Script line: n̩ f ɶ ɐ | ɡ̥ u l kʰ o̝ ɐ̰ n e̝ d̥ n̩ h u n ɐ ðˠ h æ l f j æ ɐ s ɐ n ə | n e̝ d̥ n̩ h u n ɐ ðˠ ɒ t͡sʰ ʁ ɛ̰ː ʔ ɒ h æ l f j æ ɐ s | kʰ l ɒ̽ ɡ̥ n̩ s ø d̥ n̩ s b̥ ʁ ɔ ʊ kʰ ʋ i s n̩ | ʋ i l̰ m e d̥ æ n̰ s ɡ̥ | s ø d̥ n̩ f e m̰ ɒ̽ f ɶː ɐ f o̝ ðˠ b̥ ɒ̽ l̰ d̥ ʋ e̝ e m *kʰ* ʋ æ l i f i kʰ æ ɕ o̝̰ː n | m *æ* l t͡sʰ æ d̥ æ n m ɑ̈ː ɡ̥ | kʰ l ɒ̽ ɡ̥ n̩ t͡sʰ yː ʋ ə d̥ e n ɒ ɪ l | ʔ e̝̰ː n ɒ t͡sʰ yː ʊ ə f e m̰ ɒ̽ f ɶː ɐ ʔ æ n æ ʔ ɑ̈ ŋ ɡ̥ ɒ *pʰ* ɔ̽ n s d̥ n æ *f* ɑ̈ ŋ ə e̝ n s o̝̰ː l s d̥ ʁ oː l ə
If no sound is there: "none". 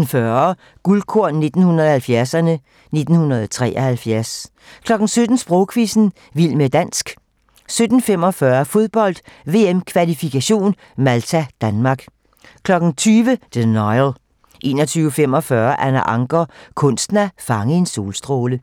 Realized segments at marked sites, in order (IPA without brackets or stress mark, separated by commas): kʰ, æ, kʰ, f